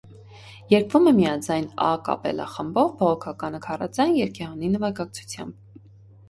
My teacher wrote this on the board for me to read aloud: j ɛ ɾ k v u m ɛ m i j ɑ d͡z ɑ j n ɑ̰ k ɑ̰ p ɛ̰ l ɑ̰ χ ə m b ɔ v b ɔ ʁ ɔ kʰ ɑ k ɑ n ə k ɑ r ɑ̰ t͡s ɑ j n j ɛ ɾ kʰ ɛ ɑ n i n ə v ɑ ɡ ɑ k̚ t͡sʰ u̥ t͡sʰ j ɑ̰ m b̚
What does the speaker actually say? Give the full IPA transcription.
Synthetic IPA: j ɛ ɾ k v u m ɛ m i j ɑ d͡z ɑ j n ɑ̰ k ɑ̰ p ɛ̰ l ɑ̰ χ ə m b ɔ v b ɔ ʁ ɔ kʰ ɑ k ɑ n ə kʰ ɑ r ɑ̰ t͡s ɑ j n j ɛ ɾ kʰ ɛ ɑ n i n ə v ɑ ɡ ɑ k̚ t͡sʰ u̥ t͡sʰ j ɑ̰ m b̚